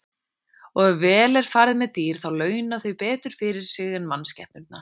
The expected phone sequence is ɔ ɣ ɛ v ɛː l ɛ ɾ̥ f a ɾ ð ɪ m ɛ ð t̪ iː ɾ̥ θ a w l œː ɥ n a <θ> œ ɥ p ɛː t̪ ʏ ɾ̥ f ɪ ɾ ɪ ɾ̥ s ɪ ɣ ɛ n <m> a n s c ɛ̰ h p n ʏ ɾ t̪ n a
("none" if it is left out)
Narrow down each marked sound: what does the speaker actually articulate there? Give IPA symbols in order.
θ, m

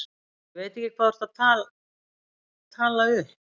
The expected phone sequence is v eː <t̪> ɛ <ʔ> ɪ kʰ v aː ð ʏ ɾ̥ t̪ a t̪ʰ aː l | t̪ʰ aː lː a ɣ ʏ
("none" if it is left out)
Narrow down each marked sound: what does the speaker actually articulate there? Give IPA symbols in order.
t̪, c

